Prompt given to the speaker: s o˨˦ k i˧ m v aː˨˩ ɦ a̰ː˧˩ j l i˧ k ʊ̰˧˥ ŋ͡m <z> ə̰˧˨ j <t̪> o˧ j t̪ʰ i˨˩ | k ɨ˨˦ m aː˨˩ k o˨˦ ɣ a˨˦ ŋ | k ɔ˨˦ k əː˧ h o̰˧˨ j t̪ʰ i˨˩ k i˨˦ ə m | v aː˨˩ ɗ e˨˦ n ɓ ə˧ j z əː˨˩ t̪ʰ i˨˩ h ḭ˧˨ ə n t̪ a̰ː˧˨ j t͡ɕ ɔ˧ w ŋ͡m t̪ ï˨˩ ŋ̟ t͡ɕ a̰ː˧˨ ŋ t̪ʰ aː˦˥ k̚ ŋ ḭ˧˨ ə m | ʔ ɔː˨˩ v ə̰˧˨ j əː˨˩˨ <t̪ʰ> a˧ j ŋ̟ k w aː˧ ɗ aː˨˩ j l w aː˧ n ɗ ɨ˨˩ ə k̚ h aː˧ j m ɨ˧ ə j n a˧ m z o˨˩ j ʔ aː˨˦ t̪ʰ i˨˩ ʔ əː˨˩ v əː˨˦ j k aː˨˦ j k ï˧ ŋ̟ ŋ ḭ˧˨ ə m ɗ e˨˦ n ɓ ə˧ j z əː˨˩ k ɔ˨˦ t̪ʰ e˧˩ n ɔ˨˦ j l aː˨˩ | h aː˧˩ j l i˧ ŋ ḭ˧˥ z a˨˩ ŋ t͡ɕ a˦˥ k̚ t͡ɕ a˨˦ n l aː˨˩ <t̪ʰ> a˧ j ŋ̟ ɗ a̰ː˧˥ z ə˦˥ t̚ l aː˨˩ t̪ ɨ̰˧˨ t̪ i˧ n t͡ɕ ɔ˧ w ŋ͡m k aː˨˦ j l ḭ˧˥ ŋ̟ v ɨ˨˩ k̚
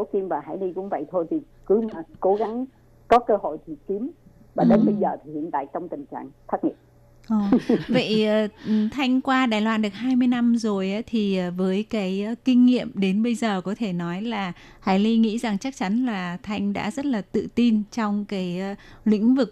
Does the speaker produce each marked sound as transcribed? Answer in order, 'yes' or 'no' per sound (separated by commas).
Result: no, no, yes, yes